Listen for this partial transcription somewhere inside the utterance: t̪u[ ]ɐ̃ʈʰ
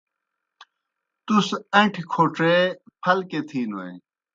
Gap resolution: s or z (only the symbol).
s